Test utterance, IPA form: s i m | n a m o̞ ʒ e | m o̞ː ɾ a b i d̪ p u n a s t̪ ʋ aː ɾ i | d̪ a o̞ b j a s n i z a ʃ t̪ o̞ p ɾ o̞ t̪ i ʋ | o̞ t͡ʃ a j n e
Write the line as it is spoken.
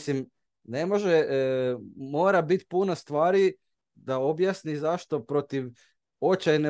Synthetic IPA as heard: s i m | n e m o̞ ʒ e | m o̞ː ɾ a b i t̪ p u n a s t̪ ʋ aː ɾ i | d̪ a o̞ b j a s n i z a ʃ t̪ o̞ p ɾ o̞ t̪ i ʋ | o̞ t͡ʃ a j n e